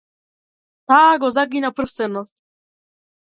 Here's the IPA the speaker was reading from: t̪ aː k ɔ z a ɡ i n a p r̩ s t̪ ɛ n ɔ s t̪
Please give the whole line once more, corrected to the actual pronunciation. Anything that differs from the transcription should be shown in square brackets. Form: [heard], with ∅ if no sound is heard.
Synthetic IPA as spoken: t̪ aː [ɡ] ɔ z a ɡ i n a p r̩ s t̪ ɛ n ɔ s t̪